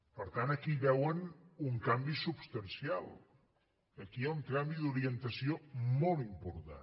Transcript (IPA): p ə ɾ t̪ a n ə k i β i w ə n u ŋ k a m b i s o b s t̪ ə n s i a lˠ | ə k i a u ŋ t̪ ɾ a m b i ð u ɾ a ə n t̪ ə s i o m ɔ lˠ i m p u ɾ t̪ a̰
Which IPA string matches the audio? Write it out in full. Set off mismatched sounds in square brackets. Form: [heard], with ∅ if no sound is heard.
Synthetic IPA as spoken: p ə ɾ t̪ a n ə k i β [ɛ] w ə n u ŋ k a m b i s [u] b s t̪ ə n s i a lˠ | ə k i a u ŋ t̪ ɾ a m b i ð u ɾ [i] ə n t̪ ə s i o m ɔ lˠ i m p u ɾ t̪ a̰